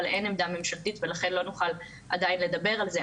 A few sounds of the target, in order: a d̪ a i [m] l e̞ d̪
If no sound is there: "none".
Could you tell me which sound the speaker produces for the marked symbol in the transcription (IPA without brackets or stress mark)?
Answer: n